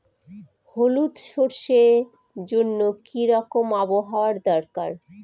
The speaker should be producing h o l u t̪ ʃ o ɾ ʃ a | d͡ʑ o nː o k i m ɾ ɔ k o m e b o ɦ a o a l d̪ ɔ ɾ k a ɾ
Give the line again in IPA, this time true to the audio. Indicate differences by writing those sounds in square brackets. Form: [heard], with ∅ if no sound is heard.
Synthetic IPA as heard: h o l u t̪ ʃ o ɾ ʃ [e] | d͡ʑ o nː o k i [∅] ɾ ɔ k o m [a] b o ɦ a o a [ɾ] d̪ ɔ ɾ k a ɾ